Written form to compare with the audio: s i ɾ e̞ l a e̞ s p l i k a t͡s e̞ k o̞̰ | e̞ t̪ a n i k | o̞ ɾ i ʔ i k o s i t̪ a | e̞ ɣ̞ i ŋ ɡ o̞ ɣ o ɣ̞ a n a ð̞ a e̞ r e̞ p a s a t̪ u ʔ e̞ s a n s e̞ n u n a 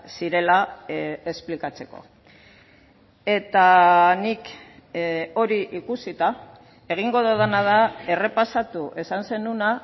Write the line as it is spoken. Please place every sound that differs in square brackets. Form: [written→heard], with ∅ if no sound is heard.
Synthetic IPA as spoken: s i ɾ e̞ l a e̞ s p l i k a t͡s e̞ k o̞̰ | e̞ t̪ a n i k | o̞ ɾ i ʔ i k [o→u] s i t̪ a | e̞ ɣ̞ i ŋ ɡ o̞ [ɣ→ð] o [ɣ̞→ð̞] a n a ð̞ a e̞ r e̞ p a s a t̪ u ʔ e̞ s a n s e̞ n u n a